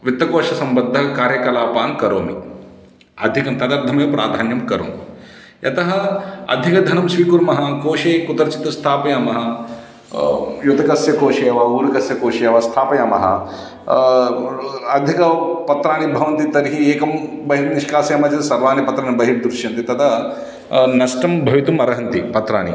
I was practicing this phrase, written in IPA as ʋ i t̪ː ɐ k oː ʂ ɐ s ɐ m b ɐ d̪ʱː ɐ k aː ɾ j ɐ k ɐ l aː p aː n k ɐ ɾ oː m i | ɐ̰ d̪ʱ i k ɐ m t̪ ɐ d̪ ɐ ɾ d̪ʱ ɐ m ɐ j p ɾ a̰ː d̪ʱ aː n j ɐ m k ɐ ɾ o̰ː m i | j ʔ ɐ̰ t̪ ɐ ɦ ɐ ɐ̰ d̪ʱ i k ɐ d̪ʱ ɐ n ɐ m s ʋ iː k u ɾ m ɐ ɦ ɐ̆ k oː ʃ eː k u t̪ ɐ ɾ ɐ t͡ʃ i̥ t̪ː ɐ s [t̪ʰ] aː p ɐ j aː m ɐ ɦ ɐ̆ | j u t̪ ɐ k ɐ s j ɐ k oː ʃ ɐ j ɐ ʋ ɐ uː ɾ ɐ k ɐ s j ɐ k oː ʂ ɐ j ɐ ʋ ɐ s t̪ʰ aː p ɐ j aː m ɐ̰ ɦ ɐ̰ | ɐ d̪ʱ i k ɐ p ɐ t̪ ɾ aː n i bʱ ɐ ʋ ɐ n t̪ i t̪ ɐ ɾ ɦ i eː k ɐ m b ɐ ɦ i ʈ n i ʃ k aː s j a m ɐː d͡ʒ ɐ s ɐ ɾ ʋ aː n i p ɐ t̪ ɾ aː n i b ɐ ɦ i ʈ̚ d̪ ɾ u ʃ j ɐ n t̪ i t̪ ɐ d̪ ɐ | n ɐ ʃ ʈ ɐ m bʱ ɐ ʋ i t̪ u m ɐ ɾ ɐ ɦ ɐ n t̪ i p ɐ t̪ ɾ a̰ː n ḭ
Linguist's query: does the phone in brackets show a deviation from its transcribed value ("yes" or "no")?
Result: no